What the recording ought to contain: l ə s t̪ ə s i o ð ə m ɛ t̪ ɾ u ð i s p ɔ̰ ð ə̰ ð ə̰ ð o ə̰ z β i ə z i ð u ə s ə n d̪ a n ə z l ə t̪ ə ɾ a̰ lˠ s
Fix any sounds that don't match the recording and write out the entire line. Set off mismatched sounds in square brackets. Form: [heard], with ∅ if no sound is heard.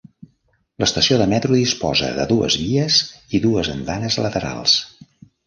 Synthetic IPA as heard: l ə s t̪ ə s i o ð ə m ɛ t̪ ɾ u ð i s p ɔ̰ [z] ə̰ ð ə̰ ð [u] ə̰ z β i ə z i ð u ə [z] ə n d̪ a n ə z l ə t̪ ə ɾ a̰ lˠ s